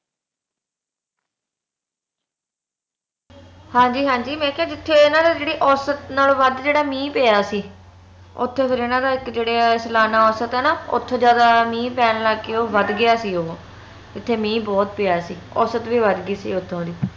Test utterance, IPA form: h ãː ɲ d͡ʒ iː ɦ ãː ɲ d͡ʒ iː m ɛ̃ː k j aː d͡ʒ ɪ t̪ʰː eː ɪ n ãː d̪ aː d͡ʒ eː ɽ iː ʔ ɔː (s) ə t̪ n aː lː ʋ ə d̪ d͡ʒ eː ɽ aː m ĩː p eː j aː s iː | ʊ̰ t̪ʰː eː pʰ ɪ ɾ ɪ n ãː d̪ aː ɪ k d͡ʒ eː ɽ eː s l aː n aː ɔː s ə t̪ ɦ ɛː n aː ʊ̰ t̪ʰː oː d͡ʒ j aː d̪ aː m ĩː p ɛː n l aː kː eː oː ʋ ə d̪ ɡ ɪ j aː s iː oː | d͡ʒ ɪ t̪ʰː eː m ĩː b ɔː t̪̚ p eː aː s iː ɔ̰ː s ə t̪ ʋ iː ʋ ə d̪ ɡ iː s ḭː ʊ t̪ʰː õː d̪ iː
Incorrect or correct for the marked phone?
correct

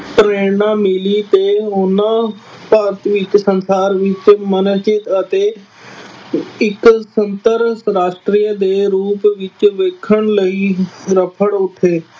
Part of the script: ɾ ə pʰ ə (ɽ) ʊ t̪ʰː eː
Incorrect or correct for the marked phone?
correct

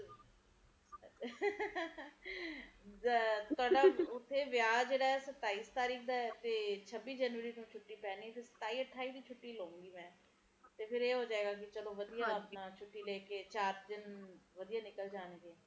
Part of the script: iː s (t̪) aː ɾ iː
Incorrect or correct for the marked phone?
correct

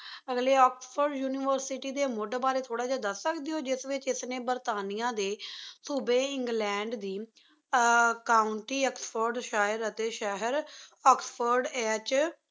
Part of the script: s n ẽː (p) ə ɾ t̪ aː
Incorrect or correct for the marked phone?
incorrect: b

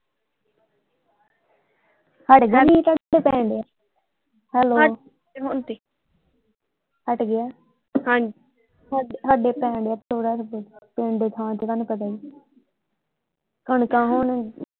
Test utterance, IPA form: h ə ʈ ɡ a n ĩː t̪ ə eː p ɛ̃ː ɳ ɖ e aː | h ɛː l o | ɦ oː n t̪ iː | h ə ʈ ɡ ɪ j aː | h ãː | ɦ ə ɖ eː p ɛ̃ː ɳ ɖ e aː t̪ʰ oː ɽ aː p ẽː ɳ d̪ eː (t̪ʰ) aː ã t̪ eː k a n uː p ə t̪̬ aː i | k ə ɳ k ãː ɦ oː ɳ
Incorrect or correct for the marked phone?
correct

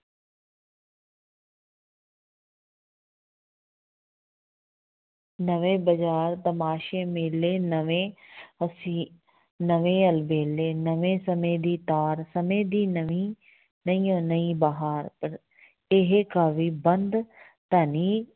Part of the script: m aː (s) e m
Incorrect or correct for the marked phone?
incorrect: ʃ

